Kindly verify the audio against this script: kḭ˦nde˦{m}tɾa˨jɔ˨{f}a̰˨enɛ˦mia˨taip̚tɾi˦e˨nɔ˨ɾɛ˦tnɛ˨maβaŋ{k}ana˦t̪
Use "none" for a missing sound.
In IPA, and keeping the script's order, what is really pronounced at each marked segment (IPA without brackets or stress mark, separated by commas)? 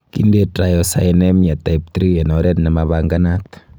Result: none, s, ɡ